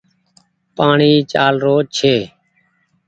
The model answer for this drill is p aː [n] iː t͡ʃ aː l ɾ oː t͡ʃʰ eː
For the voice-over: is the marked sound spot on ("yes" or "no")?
no